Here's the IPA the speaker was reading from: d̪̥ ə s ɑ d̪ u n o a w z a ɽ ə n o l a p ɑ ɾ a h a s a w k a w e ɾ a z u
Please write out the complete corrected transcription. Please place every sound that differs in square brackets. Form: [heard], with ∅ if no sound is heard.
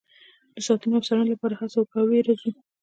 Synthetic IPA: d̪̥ ə s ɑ [t̪] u n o a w [s] a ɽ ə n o l a p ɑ ɾ a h a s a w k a w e ɾ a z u